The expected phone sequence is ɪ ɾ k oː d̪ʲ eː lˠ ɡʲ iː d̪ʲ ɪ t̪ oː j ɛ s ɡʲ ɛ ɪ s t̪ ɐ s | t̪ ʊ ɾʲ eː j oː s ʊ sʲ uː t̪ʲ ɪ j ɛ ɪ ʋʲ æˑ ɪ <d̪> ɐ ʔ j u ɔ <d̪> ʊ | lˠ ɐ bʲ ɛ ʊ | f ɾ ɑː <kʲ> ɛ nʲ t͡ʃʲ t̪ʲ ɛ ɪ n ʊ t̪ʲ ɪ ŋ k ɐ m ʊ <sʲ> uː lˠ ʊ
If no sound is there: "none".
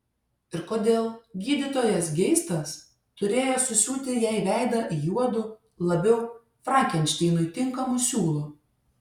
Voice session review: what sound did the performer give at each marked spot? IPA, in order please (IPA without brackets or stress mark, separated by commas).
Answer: d̪, d̪, kʲ, sʲ